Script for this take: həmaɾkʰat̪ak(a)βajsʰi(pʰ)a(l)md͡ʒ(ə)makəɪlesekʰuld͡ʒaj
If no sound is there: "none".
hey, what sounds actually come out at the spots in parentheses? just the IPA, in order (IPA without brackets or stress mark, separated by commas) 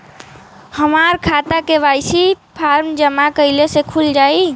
e, pʰ, ɾ, ə